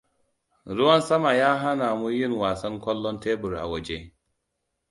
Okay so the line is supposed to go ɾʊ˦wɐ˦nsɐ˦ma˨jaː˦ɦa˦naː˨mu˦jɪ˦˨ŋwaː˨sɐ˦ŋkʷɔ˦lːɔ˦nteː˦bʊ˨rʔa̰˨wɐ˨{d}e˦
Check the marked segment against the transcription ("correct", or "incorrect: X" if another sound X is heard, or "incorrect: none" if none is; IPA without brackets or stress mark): incorrect: d͡ʒ